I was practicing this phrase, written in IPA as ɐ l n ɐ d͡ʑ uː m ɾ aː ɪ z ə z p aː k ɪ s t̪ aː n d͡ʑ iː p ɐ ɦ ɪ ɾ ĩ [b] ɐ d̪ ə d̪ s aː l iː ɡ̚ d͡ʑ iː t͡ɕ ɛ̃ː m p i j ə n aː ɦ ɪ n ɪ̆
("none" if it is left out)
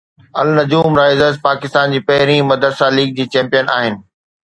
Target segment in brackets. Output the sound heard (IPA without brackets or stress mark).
m